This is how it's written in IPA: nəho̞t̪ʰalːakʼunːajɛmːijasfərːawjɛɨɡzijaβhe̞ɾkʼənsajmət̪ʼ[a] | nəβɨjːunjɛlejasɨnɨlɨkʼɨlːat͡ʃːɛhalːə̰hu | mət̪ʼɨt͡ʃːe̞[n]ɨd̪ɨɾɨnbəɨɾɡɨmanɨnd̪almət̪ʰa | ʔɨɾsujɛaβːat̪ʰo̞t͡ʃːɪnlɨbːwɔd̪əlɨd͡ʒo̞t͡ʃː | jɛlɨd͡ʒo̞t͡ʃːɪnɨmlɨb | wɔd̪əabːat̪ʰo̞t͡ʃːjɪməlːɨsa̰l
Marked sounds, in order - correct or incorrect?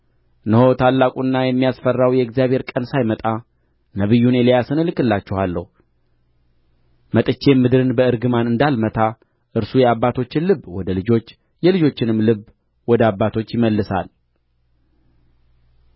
correct, incorrect

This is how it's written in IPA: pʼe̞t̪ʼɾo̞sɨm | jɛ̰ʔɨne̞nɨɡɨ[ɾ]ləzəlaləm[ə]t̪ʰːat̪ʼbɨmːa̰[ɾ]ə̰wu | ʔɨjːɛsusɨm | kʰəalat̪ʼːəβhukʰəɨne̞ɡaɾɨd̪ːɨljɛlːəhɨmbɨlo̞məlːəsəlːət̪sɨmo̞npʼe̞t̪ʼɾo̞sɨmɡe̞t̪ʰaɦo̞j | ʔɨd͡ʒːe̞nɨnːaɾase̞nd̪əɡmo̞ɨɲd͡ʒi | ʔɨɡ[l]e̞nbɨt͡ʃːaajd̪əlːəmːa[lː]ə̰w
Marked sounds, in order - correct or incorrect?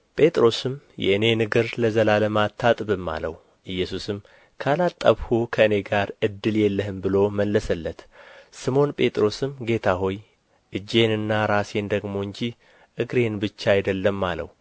correct, incorrect, incorrect, incorrect, incorrect

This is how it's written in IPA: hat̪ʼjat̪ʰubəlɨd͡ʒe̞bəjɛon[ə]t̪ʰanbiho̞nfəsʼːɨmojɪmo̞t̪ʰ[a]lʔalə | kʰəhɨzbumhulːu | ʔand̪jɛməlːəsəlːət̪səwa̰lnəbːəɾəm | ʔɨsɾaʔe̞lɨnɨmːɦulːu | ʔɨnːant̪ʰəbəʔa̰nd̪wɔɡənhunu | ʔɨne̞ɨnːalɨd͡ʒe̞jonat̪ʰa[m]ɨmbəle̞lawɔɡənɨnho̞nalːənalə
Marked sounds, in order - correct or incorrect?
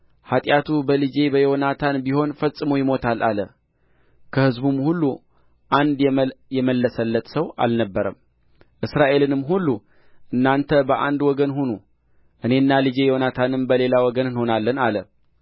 incorrect, correct, incorrect

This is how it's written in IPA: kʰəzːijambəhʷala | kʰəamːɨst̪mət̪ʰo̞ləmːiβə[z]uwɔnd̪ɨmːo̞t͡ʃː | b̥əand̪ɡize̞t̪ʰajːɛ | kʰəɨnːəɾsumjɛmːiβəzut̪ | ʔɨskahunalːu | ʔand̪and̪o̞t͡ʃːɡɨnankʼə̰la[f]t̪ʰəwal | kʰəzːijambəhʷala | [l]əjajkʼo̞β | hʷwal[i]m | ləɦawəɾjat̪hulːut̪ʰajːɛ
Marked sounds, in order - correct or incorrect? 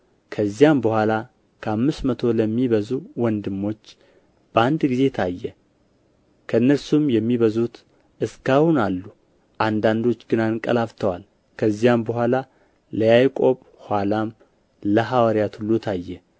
correct, correct, correct, incorrect

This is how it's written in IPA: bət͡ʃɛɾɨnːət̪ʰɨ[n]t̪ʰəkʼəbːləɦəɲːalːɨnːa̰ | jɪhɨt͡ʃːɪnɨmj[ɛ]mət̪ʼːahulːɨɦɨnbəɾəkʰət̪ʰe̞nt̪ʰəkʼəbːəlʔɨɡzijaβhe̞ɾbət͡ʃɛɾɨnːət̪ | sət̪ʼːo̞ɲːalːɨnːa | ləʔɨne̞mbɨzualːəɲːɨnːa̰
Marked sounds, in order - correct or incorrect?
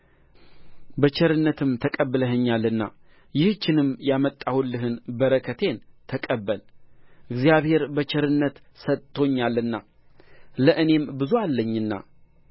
incorrect, incorrect

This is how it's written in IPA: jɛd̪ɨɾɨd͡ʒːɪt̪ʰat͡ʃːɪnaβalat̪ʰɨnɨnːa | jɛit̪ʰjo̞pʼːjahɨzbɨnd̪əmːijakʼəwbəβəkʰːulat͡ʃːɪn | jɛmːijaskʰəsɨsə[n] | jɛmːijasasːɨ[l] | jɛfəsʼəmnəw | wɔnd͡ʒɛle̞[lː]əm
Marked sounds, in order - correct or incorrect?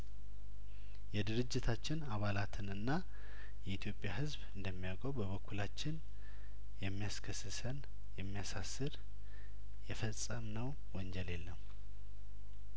correct, incorrect, correct

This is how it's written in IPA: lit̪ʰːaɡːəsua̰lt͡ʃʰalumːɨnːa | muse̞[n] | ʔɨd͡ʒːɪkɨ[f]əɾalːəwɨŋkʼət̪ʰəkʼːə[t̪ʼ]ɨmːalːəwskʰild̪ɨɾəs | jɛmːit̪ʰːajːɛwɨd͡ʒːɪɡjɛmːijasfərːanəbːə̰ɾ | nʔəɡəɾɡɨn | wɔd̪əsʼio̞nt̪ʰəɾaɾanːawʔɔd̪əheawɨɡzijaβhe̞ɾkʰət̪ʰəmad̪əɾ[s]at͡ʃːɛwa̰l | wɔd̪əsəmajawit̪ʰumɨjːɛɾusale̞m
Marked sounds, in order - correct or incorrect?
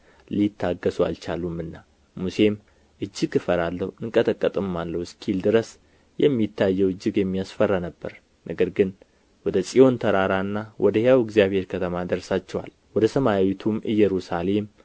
incorrect, correct, correct, correct

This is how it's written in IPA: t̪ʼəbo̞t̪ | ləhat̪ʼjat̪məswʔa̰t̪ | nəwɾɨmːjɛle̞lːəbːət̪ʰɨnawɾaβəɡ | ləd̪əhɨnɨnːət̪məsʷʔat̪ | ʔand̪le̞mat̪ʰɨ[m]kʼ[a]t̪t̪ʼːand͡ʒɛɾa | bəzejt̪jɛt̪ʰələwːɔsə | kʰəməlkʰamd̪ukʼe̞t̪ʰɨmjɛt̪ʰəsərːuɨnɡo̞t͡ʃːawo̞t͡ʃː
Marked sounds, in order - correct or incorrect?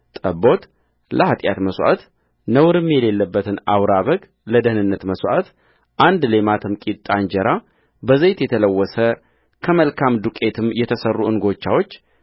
correct, incorrect

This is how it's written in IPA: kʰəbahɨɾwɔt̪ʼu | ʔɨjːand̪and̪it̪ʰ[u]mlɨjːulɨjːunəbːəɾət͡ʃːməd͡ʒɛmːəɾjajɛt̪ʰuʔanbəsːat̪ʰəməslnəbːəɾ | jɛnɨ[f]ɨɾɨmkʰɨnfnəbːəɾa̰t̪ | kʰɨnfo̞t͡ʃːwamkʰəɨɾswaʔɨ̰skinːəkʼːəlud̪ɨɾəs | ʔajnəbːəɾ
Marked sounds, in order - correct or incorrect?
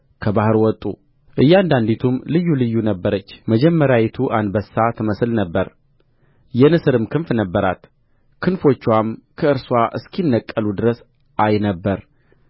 correct, incorrect

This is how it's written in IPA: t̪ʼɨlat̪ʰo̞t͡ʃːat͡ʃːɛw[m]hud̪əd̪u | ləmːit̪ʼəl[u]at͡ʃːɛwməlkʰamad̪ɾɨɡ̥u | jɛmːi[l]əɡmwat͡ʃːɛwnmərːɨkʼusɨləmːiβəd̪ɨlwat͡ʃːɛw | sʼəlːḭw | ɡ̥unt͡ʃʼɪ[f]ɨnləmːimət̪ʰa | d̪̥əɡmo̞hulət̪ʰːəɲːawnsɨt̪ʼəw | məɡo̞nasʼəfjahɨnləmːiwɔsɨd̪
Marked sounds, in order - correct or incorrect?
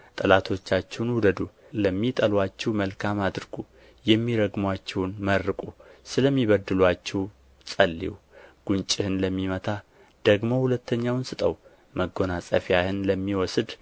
incorrect, incorrect, incorrect, incorrect

